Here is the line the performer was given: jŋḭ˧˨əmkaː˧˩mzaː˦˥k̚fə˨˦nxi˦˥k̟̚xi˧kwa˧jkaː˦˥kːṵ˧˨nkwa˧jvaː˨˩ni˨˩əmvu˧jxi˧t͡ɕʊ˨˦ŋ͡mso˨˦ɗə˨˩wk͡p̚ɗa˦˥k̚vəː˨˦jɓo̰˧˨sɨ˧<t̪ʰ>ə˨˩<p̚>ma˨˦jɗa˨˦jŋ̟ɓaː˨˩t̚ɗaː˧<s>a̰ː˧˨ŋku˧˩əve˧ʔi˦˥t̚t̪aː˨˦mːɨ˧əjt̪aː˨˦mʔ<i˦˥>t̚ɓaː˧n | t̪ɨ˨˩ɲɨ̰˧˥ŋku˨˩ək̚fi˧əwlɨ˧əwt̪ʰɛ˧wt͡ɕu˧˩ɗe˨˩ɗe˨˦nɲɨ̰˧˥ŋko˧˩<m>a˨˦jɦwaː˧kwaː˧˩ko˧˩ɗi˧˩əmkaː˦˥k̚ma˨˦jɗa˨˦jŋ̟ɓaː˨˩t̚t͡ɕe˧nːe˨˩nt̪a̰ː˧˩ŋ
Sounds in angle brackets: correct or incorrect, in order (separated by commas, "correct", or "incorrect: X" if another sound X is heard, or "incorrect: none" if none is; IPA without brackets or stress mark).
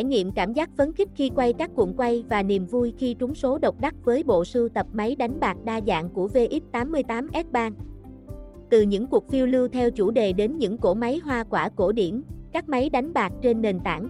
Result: incorrect: t̪, correct, incorrect: z, incorrect: ɛ˦˥, correct